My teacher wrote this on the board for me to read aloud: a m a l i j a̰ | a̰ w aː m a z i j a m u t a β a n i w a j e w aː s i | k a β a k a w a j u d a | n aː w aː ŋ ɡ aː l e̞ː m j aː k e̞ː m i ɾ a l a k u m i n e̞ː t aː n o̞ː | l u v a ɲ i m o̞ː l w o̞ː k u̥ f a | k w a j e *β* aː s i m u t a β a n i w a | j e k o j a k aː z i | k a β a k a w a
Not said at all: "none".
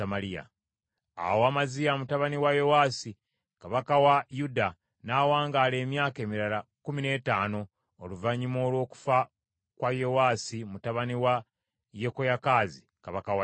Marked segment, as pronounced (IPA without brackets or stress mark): w